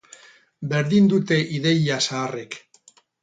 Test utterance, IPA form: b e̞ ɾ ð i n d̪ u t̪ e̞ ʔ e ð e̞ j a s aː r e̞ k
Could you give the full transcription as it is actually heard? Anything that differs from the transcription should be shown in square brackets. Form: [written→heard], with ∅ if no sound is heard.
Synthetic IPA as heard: b e̞ ɾ ð i n d̪ u t̪ e̞ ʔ [e→i] ð e̞ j a s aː r e̞ k